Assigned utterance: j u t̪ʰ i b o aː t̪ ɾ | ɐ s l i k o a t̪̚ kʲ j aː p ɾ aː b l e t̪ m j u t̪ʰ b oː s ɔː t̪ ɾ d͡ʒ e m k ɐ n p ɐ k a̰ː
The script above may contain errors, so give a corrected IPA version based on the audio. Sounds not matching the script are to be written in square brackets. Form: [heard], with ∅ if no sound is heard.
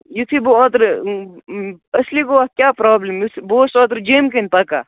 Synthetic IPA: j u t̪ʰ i b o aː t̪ ɾ | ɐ s l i k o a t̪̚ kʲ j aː p ɾ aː b l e [∅] m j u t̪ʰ b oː s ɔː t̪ ɾ d͡ʒ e m k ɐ n p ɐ k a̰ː